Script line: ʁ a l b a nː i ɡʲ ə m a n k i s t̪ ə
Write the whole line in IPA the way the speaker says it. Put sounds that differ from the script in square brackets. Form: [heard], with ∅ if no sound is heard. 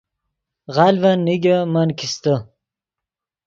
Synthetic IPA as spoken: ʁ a l [v] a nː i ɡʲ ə m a n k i s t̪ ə

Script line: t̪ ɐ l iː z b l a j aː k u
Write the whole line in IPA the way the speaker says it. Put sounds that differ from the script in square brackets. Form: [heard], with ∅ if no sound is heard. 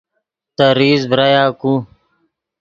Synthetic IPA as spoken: t̪ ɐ [ɾ] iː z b [ɾ] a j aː k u

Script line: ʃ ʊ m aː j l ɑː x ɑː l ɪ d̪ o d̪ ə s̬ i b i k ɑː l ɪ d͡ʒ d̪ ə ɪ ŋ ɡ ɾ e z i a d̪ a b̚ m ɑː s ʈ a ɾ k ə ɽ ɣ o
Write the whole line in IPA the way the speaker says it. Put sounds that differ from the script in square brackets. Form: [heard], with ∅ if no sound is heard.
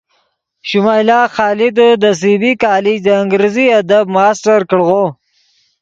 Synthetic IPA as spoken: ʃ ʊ m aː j l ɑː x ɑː l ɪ d̪ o d̪ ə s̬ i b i k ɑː l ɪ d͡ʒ d̪ ə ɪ ŋ ɡ ɾ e z i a d̪ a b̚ m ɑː s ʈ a ɾ k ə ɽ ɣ o

